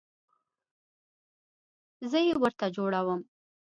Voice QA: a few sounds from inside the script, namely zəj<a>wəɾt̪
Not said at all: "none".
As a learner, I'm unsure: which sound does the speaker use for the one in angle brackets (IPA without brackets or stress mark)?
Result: e